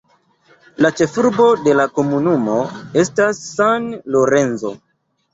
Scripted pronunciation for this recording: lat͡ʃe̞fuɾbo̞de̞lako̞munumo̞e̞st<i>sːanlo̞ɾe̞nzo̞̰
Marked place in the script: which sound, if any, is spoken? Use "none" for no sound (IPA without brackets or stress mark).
a